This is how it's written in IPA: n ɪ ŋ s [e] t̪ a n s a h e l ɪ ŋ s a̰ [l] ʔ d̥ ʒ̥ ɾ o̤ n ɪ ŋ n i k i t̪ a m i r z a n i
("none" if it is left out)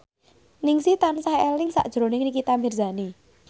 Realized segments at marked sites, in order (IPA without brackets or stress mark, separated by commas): i, none